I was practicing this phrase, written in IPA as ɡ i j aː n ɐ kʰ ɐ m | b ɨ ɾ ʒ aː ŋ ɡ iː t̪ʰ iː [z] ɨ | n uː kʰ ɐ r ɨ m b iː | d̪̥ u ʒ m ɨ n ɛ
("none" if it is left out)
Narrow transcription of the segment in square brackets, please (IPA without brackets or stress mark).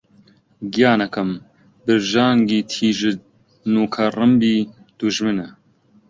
ʒ